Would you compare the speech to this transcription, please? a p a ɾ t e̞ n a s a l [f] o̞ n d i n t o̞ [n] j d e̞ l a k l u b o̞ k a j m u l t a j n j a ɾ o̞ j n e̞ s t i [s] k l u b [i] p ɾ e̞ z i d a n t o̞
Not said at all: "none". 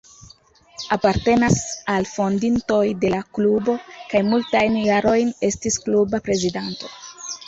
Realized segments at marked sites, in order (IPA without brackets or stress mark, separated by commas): f, none, s, a